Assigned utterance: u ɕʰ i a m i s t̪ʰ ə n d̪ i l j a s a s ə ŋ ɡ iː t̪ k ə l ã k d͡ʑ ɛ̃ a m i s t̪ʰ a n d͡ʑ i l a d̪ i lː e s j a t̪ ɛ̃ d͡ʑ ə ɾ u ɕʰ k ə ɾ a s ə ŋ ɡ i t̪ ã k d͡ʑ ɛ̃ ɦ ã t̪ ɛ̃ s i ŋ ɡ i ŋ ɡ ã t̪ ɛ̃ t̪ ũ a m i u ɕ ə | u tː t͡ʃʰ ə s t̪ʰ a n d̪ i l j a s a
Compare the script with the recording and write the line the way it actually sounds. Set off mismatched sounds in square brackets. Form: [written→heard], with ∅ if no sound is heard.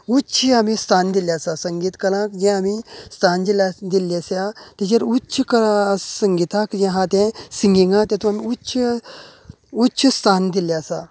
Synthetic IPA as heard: u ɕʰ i a m i s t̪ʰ [ə→a] n d̪ i l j a s a s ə ŋ ɡ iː t̪ k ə l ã k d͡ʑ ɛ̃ a m i s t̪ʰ a n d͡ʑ i l a d̪ i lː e s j a t̪ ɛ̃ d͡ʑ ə ɾ u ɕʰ k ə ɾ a s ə ŋ ɡ i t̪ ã k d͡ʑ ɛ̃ ɦ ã t̪ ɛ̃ s i ŋ ɡ i ŋ ɡ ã t̪ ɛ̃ t̪ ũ a m i u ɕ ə | u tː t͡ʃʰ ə s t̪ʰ a n d̪ i l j a s a